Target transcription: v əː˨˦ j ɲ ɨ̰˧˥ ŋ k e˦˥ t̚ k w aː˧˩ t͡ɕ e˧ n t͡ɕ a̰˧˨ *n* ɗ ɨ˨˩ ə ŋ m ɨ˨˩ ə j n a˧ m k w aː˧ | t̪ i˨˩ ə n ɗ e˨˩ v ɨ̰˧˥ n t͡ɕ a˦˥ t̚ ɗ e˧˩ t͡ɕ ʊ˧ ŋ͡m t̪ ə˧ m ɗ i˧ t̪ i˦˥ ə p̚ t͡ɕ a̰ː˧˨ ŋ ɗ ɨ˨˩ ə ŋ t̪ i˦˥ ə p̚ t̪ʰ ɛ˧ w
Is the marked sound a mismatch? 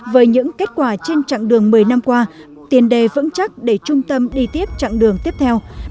yes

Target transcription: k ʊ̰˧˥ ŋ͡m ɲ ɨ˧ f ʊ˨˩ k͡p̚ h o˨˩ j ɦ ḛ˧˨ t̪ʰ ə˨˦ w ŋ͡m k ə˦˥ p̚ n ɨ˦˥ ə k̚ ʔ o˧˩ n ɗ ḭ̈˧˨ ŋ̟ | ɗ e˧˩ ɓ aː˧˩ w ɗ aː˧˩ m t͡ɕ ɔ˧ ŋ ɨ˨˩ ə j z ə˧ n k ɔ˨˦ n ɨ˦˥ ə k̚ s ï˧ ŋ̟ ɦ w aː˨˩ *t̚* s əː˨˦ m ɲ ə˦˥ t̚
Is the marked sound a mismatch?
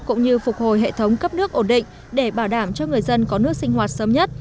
no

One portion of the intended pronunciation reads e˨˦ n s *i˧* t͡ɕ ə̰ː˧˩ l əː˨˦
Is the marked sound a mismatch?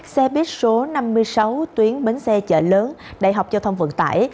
yes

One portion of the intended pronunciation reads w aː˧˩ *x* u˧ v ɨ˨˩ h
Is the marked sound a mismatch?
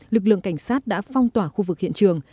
no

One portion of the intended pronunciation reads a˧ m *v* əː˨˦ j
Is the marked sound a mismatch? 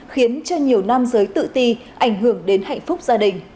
yes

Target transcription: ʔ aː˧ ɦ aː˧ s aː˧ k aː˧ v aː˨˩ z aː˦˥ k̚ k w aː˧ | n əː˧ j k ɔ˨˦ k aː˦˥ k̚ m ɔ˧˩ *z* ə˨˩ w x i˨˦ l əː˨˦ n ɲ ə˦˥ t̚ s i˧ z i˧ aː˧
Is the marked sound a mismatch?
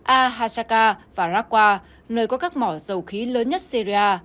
no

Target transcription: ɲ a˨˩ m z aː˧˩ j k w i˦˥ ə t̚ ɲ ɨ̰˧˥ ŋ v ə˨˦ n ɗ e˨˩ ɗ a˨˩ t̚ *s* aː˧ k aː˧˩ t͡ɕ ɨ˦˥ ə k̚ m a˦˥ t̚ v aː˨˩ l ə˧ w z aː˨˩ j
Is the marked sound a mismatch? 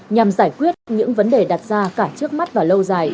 yes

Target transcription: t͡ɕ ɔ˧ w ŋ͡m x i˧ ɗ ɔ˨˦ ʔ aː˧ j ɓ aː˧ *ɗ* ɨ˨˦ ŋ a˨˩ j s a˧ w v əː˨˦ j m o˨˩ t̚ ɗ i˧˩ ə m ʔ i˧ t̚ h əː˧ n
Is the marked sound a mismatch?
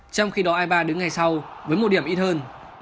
no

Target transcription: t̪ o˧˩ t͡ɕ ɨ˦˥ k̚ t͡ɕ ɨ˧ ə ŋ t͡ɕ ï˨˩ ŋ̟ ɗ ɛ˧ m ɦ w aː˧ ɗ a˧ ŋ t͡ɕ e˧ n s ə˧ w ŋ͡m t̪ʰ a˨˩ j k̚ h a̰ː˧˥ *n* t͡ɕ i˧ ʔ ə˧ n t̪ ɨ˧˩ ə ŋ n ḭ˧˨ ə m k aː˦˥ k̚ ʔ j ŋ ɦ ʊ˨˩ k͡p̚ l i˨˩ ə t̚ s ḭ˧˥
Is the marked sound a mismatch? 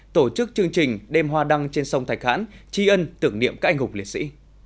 no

